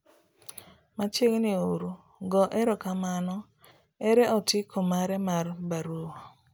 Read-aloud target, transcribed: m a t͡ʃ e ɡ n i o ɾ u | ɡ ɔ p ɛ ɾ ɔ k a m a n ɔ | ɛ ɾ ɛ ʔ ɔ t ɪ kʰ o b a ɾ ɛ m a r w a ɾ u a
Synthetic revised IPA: m a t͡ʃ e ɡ n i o ɾ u | ɡ ɔ ʔ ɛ ɾ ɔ k a m a n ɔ | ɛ ɾ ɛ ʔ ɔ t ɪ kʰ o m a ɾ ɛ m a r b a ɾ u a